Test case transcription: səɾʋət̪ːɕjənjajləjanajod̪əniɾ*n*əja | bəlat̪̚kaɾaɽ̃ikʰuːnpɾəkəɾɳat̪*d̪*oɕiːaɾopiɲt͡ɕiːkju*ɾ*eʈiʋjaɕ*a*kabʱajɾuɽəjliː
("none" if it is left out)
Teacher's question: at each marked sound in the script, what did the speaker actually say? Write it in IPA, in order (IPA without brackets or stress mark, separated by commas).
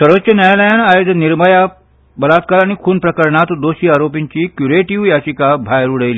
m, d̪, ɾ, i